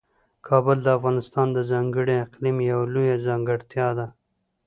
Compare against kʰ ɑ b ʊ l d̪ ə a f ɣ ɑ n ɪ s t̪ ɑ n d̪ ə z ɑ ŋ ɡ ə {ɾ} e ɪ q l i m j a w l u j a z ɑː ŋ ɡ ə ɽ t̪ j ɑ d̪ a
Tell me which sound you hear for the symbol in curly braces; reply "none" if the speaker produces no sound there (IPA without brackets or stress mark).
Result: ɽ